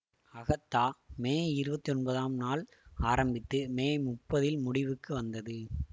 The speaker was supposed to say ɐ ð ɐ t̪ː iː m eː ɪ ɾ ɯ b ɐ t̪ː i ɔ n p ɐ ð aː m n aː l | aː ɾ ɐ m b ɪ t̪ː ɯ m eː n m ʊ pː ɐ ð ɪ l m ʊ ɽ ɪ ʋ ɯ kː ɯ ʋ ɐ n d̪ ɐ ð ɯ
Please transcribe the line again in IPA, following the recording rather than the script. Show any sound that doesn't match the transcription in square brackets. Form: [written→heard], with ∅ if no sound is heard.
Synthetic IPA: ɐ [ð→ɣ] ɐ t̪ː [iː→aː] m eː ɪ ɾ ɯ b ɐ t̪ː i ɔ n [p→b] ɐ ð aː m n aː l | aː ɾ ɐ m b ɪ t̪ː ɯ m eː [n→∅] m ʊ pː ɐ ð ɪ l m ʊ ɽ ɪ ʋ ɯ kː ɯ ʋ ɐ n d̪ ɐ ð ɯ